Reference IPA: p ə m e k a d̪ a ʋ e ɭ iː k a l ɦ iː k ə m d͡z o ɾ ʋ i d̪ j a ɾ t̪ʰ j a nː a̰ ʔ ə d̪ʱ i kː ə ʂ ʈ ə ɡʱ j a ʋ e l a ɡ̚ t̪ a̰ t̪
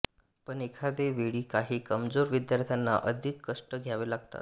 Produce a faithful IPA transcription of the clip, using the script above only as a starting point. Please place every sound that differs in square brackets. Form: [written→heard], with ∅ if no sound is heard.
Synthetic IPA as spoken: p ə [m→ɳ] e [k→kʰ] a d̪ [a→e] ʋ e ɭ iː k a [l→∅] ɦ iː k ə m d͡z o ɾ ʋ i d̪ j a ɾ t̪ʰ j a nː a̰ ʔ ə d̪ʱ i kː ə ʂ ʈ ə ɡʱ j a ʋ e l a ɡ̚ t̪ a̰ t̪